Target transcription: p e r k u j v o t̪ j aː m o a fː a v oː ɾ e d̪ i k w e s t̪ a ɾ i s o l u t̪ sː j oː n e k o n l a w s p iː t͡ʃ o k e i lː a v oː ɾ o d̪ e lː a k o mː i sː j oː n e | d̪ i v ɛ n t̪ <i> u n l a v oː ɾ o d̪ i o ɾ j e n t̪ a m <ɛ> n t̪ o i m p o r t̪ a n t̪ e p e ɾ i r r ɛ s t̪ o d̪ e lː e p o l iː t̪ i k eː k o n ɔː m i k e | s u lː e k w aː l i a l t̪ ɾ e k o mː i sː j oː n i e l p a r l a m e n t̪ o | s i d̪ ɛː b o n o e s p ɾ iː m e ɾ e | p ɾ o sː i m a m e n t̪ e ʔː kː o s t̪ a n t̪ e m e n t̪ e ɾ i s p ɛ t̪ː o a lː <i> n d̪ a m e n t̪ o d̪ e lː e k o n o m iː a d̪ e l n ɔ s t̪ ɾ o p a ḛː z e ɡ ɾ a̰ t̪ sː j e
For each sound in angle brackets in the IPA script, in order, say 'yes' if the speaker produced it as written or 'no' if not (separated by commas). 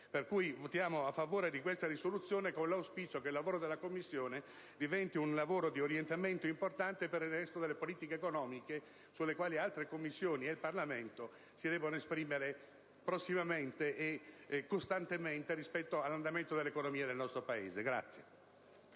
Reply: yes, no, no